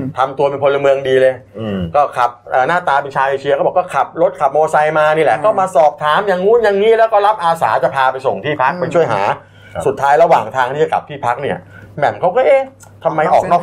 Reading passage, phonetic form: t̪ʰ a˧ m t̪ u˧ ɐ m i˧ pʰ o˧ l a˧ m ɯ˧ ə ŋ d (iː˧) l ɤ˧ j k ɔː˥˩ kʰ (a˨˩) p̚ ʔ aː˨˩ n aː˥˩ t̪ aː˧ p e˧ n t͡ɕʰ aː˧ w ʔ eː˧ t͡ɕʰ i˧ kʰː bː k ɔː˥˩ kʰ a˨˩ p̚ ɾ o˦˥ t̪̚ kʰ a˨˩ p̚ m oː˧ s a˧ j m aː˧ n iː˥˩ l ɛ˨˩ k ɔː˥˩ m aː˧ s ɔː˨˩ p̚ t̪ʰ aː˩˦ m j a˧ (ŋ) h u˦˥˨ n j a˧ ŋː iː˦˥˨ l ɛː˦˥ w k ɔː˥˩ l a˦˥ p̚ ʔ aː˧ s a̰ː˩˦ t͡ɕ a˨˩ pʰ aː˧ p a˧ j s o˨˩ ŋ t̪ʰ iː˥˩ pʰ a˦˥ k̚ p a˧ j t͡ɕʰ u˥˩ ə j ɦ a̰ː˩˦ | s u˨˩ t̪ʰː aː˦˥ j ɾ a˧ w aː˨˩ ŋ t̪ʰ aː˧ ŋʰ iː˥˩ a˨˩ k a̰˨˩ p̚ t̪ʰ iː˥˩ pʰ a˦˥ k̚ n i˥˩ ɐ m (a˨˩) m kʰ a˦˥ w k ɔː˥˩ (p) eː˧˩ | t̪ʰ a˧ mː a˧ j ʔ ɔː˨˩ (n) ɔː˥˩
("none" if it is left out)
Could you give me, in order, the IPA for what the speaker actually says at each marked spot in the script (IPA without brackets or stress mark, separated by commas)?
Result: iː˧, a˨˩, ŋ, ɛ˨˩, ʔ, n